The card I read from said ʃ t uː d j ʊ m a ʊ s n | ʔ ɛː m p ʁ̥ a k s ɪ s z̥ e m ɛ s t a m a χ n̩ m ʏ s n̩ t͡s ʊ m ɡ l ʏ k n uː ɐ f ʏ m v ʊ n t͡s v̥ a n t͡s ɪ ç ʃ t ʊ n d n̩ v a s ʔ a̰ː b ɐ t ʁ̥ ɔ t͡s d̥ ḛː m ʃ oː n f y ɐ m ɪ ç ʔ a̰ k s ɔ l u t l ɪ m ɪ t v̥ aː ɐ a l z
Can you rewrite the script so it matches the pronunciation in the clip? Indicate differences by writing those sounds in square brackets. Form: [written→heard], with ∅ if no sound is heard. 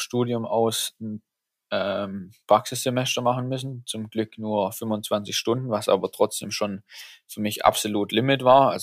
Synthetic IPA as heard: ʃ t uː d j ʊ m a ʊ s n | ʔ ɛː m p ʁ̥ a k s ɪ s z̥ e m ɛ s t [a→ɐ] m a χ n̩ m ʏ s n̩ t͡s ʊ m ɡ l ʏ k n uː ɐ f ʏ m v ʊ n t͡s v̥ a n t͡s ɪ ç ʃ t ʊ n d n̩ v a s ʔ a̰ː b ɐ t ʁ̥ ɔ t͡s d̥ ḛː m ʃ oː n f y ɐ m ɪ ç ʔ a̰ [k→p] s [ɔ→o] l [u→uː] t l ɪ m ɪ t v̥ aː ɐ a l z